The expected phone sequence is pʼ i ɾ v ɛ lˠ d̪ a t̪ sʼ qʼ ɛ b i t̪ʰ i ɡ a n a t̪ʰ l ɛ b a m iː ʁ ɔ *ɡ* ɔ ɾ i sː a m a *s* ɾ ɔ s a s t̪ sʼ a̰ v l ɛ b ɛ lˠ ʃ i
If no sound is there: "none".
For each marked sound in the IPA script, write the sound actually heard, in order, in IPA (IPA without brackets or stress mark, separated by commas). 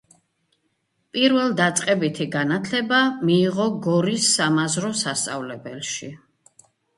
ɡ, z